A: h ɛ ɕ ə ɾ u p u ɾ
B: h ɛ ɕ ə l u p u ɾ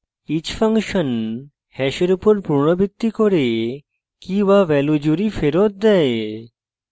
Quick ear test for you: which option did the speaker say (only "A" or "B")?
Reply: A